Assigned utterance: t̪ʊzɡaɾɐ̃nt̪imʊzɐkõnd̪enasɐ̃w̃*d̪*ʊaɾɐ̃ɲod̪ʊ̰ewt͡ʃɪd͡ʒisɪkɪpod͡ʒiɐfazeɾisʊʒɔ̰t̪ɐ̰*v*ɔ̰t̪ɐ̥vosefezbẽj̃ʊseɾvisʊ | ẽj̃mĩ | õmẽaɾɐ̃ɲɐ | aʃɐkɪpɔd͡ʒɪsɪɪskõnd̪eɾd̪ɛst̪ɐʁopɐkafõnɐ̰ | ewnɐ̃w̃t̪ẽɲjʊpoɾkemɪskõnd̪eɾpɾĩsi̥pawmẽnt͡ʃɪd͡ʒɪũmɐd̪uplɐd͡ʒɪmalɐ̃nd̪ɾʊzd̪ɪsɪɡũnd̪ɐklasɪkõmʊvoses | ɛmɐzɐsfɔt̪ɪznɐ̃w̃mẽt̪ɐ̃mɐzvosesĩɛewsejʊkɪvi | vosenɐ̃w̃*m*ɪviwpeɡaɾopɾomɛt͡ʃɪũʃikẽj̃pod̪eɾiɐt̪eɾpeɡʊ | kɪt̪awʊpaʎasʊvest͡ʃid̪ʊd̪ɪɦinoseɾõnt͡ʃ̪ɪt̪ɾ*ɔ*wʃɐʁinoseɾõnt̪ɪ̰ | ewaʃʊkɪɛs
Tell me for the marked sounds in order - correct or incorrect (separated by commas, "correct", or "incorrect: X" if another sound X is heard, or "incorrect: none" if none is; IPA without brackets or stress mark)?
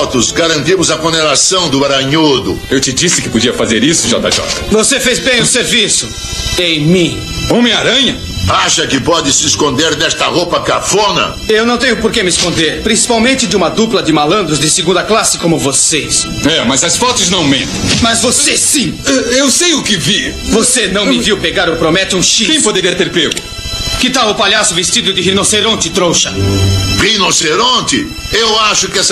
correct, incorrect: ʒ, correct, incorrect: o